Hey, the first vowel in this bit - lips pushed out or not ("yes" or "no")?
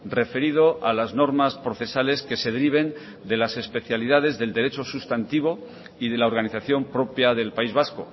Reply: no